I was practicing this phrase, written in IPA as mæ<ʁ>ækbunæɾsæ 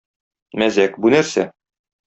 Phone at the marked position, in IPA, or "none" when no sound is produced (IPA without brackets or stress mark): z